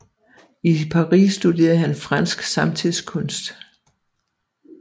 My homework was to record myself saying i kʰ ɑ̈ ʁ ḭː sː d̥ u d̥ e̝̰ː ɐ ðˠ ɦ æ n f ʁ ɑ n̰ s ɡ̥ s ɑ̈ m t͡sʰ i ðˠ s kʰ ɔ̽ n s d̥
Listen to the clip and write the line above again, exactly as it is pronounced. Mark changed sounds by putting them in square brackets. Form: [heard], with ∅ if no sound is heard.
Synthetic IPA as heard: i [pʰ] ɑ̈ ʁ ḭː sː d̥ u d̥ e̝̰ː ɐ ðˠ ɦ æ n f ʁ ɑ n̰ s ɡ̥ s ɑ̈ m t͡sʰ i ðˠ s kʰ ɔ̽ n s d̥